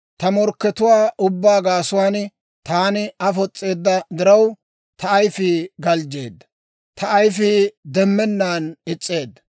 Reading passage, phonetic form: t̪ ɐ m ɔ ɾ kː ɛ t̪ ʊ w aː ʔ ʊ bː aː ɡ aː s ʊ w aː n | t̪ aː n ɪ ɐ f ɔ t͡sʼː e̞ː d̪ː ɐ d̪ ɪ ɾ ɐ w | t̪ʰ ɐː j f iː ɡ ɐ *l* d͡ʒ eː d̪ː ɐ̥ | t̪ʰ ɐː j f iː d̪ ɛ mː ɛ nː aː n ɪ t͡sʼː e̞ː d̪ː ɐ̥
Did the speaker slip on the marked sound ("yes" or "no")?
no